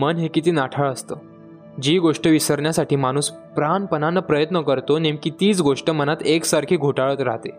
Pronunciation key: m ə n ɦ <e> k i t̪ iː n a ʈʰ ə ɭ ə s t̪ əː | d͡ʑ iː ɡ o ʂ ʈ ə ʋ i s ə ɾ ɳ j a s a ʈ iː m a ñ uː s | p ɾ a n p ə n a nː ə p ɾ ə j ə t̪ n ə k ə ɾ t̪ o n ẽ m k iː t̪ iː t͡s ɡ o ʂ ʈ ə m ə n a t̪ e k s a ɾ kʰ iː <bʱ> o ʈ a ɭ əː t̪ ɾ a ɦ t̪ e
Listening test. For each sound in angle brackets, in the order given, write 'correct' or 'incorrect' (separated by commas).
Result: correct, incorrect